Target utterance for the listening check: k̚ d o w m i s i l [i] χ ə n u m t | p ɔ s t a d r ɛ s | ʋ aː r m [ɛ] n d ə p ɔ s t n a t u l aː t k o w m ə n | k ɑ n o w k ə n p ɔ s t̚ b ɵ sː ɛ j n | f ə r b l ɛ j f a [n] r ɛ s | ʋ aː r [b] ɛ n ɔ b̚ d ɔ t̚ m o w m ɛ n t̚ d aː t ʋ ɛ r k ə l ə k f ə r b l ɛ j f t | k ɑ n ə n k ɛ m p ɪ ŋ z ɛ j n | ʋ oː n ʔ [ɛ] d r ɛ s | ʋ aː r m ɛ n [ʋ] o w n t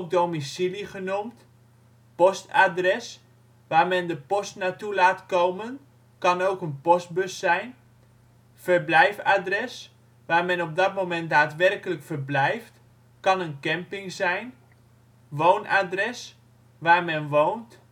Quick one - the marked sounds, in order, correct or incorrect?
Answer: correct, correct, incorrect: d, incorrect: m, incorrect: a, correct

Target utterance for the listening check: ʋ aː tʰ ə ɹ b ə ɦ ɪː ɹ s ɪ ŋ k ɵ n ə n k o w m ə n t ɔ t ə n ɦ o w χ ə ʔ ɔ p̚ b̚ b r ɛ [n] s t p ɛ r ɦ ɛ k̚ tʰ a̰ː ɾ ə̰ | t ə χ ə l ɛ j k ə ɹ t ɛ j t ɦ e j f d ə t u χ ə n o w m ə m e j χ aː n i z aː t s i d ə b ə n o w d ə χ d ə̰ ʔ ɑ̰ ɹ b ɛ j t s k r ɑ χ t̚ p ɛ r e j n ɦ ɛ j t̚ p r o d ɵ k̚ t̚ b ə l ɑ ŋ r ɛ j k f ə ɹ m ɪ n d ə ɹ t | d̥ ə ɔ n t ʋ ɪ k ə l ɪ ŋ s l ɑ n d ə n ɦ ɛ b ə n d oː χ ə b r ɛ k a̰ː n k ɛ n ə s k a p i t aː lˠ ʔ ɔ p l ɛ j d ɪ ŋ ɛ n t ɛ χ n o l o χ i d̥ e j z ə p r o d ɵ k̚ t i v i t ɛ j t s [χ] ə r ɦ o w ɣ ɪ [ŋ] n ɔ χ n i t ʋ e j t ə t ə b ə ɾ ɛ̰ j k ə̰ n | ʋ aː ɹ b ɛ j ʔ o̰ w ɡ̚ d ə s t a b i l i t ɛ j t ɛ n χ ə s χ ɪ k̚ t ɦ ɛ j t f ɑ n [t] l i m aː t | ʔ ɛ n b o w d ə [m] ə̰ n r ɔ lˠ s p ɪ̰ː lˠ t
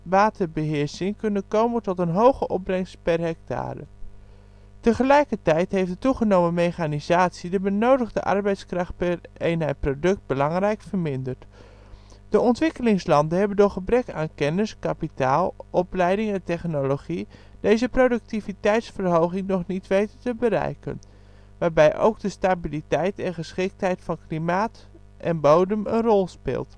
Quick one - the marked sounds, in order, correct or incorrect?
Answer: incorrect: ŋ, incorrect: f, correct, incorrect: k, correct

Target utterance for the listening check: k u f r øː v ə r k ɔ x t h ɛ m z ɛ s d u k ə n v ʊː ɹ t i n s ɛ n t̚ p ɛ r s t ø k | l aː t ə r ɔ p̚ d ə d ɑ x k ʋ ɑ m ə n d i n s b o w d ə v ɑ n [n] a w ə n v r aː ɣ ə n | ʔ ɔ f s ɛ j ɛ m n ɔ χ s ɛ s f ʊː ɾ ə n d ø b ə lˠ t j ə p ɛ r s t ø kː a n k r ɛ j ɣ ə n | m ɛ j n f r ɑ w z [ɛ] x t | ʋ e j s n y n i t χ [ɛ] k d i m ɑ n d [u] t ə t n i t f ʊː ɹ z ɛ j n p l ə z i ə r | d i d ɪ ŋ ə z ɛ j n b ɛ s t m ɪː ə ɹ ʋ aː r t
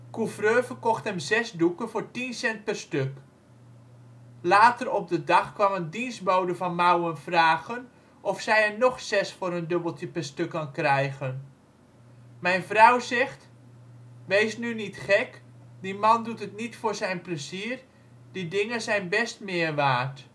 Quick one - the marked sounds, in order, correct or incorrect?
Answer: incorrect: m, correct, correct, correct

